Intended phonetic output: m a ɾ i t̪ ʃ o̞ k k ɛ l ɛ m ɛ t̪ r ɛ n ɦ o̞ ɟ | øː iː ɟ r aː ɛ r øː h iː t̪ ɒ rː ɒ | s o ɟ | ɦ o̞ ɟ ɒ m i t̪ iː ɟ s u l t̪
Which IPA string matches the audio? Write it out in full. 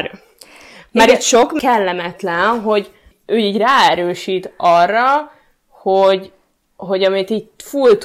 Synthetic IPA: m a ɾ i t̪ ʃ o̞ k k ɛ lː ɛ m ɛ t̪ l ɛ n ɦ o̞ ɟ | øː iː ɟ r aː ɛ ɾ øː ʃ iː t̪ ɒ rː ɒ | h o ɟ | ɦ o̞ ɟ ɒ m i t̪ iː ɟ f u l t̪